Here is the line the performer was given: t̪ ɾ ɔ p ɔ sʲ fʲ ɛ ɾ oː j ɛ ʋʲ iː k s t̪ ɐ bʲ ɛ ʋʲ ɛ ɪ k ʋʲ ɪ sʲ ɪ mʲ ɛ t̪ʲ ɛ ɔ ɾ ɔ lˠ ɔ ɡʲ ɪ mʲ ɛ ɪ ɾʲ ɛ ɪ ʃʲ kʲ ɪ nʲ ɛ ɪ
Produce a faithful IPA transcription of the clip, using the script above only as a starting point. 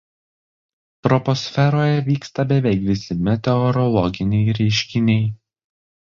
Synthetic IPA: t̪ ɾ ɔ p ɔ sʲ fʲ ɛ ɾ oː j ɛ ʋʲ iː k s t̪ ɐ bʲ ɛ ʋʲ ɛ ɪ k ʋʲ ɪ sʲ ɪ mʲ ɛ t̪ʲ ɛ ɔ ɾ ɔ lˠ ɔ ɡʲ ɪ nʲ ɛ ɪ ɾʲ ɛ ɪ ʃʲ kʲ ɪ nʲ ɛ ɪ